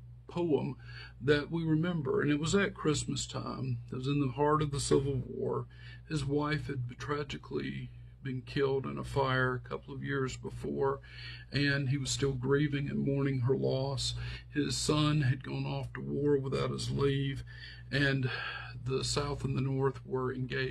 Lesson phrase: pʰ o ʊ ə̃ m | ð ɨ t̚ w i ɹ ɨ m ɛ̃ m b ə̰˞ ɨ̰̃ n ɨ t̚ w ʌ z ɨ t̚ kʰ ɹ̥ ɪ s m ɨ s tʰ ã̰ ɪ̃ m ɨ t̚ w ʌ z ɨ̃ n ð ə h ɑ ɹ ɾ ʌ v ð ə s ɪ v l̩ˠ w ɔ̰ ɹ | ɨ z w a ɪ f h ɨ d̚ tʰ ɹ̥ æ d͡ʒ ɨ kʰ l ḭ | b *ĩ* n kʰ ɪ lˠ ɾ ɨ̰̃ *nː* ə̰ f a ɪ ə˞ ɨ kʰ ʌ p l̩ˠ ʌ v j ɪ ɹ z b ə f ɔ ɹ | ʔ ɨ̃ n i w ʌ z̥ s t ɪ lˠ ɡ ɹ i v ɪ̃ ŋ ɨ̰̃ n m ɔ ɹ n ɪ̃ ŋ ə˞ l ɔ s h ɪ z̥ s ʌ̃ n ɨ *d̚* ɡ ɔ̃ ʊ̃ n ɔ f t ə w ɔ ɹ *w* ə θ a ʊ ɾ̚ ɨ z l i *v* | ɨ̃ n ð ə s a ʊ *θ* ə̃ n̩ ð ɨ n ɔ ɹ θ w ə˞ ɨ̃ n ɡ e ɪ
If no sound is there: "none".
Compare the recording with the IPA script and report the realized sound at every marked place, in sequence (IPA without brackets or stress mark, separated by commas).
ɨ̃, n, d̚, w, v, θ